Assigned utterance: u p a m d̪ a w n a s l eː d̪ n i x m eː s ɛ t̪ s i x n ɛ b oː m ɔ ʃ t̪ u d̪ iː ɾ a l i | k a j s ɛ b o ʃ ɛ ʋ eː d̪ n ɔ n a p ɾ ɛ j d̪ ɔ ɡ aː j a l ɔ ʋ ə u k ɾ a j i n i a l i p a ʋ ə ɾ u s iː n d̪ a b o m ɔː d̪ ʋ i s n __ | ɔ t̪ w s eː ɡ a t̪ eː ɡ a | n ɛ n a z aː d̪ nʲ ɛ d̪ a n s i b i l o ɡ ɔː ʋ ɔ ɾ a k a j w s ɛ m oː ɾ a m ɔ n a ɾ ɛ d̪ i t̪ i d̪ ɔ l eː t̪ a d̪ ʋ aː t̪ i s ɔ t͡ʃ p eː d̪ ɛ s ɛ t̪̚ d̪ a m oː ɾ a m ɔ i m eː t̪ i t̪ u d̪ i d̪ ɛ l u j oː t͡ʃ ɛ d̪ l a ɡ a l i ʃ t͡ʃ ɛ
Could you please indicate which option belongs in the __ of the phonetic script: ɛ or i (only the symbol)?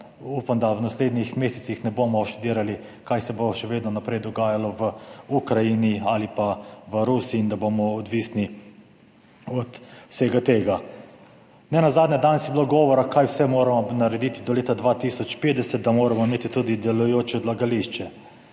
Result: i